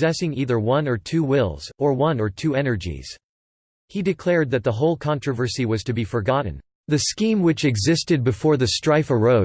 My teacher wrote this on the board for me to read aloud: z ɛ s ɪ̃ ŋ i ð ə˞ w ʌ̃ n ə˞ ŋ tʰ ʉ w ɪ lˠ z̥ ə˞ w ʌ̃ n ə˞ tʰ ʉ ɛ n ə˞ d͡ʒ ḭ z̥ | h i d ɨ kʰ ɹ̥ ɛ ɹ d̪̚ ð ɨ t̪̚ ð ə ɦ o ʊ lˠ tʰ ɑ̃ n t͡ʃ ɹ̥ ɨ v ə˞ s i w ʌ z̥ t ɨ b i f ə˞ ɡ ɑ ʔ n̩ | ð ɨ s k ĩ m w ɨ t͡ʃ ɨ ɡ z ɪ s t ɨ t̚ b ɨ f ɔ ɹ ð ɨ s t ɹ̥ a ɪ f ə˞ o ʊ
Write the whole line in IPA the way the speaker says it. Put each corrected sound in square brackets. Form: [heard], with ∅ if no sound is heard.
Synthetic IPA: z ɛ s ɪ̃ ŋ i ð ə˞ w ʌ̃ n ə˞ [∅] tʰ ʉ w ɪ lˠ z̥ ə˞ w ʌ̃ n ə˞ tʰ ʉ ɛ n ə˞ d͡ʒ ḭ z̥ | h i d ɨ kʰ [l̥] ɛ ɹ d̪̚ ð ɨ t̪̚ ð ə ɦ o ʊ lˠ [kʰ] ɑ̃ n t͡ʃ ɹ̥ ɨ v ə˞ s i w ʌ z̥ t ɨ b i f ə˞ ɡ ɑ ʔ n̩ | ð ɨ s k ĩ m w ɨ t͡ʃ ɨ ɡ z ɪ s t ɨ [d̚] b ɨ f ɔ ɹ ð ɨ s t ɹ̥ a ɪ f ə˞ o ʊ